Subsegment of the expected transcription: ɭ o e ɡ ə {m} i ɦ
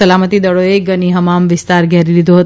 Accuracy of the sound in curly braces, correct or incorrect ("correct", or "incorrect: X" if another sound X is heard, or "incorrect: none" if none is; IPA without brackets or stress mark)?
incorrect: n